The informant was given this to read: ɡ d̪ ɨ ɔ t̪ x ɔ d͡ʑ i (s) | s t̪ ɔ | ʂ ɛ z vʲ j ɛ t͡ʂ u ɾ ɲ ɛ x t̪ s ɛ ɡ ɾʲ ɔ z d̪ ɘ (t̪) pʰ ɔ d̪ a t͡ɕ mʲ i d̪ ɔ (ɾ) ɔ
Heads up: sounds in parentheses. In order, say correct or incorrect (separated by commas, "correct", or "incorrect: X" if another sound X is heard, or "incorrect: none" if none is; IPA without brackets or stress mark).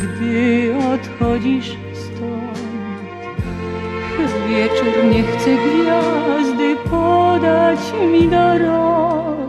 incorrect: ʂ, incorrect: none, correct